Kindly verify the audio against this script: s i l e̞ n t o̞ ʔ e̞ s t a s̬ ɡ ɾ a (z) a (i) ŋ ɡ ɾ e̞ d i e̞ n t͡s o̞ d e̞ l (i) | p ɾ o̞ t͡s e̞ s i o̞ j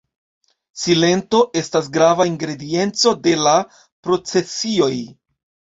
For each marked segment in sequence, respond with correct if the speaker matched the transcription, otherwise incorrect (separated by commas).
incorrect, correct, incorrect